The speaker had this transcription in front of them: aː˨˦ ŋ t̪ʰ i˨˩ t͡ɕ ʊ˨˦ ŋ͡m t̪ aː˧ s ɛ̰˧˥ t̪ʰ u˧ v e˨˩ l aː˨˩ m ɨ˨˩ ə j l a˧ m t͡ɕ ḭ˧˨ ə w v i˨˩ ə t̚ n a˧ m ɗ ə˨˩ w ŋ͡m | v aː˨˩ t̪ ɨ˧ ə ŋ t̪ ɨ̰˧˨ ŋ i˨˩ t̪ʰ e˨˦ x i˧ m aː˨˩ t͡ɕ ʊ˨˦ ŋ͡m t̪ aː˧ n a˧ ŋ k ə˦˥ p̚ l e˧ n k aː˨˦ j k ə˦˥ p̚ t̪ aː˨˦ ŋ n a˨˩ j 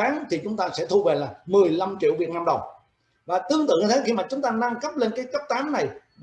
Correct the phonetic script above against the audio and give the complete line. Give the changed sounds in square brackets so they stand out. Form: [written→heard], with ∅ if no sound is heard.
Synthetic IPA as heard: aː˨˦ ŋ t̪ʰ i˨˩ t͡ɕ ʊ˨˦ ŋ͡m t̪ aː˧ s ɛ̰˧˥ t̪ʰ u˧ v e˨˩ l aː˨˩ m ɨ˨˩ ə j l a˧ m t͡ɕ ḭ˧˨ ə w v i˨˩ ə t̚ n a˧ m ɗ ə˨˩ w ŋ͡m | v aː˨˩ t̪ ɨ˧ ə ŋ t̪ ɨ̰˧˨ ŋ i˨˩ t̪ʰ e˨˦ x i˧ m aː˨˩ t͡ɕ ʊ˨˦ ŋ͡m t̪ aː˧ n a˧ ŋ k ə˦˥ p̚ l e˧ n k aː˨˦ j k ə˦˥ p̚ t̪ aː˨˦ [ŋ→m] n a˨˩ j

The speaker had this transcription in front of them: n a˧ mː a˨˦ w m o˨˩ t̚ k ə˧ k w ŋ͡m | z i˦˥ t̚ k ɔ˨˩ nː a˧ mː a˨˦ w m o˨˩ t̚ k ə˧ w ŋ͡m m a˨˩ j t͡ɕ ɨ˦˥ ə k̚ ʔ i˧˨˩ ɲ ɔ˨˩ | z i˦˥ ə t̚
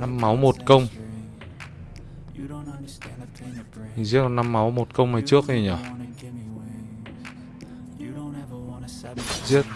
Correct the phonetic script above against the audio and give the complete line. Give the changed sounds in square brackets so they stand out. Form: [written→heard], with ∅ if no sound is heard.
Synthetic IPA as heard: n a˧ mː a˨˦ w m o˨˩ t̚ k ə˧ [k→∅] w ŋ͡m | z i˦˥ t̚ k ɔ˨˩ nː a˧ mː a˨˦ w m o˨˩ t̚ k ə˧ w ŋ͡m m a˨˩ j t͡ɕ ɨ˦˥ ə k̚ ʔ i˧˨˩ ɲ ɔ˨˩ | z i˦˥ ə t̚

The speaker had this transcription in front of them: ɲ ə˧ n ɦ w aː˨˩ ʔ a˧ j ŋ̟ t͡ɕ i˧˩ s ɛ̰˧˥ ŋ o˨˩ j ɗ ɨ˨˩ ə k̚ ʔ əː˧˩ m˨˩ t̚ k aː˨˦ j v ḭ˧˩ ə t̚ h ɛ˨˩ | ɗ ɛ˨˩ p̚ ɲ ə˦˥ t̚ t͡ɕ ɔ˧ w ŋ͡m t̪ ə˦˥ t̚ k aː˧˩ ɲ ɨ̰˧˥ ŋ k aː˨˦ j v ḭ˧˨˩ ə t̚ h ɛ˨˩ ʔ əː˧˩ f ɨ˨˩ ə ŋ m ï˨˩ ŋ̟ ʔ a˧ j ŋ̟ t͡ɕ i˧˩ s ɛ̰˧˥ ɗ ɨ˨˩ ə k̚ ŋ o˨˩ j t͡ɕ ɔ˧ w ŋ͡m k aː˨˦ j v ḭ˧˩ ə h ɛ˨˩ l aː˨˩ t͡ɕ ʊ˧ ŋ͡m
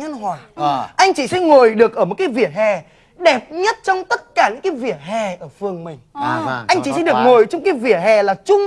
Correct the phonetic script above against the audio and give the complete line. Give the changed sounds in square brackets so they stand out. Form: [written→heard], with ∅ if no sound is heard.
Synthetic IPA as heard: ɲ ə˧ n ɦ w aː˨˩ ʔ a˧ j ŋ̟ t͡ɕ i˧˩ s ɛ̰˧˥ ŋ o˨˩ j ɗ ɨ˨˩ ə k̚ ʔ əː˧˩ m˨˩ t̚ k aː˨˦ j v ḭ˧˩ ə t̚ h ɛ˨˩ | ɗ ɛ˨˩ p̚ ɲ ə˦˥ t̚ t͡ɕ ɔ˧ w ŋ͡m t̪ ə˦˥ t̚ k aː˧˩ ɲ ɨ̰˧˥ ŋ k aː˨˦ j v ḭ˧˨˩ ə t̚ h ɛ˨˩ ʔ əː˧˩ f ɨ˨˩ ə ŋ m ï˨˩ ŋ̟ ʔ a˧ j ŋ̟ t͡ɕ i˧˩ s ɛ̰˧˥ ɗ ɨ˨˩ ə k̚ ŋ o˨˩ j t͡ɕ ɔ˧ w ŋ͡m k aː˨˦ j v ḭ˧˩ ə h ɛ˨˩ l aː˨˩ t͡ɕ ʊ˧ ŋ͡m

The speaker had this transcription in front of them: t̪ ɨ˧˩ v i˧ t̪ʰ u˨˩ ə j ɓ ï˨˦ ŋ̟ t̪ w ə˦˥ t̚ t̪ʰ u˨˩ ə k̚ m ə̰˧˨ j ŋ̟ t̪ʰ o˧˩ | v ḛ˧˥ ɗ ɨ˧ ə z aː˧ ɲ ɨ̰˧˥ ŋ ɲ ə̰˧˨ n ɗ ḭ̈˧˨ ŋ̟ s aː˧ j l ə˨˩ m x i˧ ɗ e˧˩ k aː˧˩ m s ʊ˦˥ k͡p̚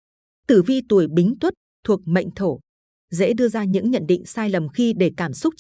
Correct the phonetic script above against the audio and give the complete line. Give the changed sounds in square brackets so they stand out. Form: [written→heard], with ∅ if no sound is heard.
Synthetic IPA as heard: t̪ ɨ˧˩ v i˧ [t̪ʰ→t̪] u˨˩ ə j ɓ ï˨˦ ŋ̟ t̪ w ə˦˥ t̚ t̪ʰ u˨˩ ə k̚ m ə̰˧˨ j ŋ̟ t̪ʰ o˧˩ | [v→z] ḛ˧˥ ɗ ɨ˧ ə z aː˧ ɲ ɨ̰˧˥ ŋ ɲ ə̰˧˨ n ɗ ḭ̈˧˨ ŋ̟ s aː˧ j l ə˨˩ m x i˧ ɗ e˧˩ k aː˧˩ m s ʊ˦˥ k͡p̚

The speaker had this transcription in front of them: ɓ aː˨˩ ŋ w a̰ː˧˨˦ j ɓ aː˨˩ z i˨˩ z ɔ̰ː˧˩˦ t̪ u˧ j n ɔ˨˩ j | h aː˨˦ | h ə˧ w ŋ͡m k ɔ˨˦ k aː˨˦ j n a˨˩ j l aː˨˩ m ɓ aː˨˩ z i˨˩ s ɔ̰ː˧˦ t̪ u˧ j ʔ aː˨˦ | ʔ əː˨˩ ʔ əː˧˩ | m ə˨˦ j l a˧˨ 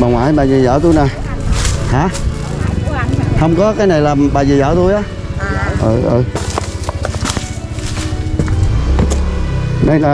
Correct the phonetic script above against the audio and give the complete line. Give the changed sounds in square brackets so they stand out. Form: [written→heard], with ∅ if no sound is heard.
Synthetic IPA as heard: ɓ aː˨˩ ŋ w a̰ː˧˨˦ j ɓ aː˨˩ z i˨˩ z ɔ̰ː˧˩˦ t̪ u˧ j n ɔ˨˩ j | h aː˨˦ | h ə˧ w ŋ͡m k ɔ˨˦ k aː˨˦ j n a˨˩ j l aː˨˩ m ɓ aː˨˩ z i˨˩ [s→z] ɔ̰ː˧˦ t̪ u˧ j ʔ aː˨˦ | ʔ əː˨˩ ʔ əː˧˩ | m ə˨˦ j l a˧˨

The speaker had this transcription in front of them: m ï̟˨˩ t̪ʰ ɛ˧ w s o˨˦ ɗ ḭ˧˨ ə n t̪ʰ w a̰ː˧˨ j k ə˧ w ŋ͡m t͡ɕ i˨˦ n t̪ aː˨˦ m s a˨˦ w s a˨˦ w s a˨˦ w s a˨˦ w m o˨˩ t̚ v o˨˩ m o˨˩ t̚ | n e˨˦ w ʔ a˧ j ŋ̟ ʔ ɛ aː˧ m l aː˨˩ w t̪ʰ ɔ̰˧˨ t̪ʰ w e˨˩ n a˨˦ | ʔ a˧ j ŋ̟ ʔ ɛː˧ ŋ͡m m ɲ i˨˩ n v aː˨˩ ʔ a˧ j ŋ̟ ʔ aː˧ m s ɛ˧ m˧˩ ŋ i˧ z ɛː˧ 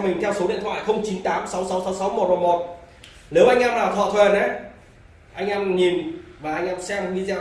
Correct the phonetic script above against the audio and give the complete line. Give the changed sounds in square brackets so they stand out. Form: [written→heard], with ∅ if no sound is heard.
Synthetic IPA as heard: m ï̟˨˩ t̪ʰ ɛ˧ w s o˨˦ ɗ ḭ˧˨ ə n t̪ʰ w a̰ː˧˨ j [k→x] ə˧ w ŋ͡m t͡ɕ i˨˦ n t̪ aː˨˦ m s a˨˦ w s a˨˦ w s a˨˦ w s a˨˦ w m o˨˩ t̚ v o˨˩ m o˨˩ t̚ | n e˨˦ w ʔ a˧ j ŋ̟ ʔ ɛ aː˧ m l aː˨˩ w t̪ʰ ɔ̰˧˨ t̪ʰ w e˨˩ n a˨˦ | ʔ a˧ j ŋ̟ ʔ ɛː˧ [ŋ͡m→∅] m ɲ i˨˩ n v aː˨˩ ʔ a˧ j ŋ̟ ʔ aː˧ m s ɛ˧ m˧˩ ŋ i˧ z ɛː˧

